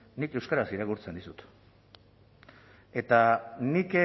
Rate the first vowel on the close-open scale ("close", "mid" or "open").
close